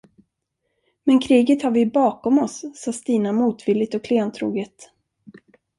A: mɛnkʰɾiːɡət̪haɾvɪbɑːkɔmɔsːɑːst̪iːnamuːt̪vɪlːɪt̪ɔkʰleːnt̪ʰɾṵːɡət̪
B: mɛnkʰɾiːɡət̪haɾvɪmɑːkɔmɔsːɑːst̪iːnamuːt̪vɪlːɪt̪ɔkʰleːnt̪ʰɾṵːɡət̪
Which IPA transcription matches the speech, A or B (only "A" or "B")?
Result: A